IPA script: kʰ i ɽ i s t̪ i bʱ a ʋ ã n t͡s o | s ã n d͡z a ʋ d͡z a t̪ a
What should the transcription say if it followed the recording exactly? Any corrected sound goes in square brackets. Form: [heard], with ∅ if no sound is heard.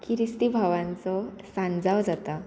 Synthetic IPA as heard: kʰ i [ɾ] i s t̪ i bʱ a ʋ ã n t͡s [ɔ] | s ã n d͡z a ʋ d͡z a t̪ a